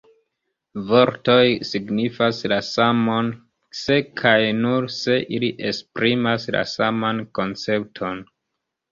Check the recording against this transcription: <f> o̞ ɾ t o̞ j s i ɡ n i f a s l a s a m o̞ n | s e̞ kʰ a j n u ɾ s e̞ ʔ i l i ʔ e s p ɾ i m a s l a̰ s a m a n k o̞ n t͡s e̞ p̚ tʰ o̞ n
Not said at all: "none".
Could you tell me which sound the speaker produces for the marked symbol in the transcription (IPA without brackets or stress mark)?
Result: v